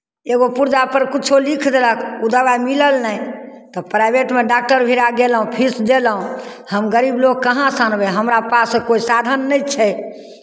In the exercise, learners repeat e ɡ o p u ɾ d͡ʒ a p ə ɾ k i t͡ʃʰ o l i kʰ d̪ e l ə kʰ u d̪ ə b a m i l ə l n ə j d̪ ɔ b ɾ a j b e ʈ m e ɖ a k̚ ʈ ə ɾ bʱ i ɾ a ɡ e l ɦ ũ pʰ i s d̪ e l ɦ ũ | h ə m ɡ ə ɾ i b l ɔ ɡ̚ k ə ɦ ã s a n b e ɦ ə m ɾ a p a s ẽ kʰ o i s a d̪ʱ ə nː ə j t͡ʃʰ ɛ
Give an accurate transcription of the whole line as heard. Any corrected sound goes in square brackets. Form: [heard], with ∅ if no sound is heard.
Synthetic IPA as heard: e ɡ o p u ɾ d͡ʒ a p ə ɾ k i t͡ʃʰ o l i kʰ d̪ e l ə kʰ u d̪ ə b a m i l ə l n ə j [t̪] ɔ [p] ɾ a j b e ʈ m e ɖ a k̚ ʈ ə ɾ bʱ i ɾ a ɡ e l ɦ ũ pʰ i s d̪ e l ɦ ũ | h ə m ɡ ə ɾ i b l [o] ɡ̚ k ə ɦ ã s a n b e ɦ ə m ɾ a p a s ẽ [k] o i s a d̪ʱ ə nː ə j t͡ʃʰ ɛ